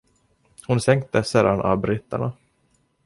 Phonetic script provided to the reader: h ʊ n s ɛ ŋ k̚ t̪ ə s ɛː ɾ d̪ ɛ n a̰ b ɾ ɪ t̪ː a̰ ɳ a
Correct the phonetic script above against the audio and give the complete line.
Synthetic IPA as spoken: h ʊ n s ɛ ŋ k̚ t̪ ə s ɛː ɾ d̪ a n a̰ b ɾ ɪ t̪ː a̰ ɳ a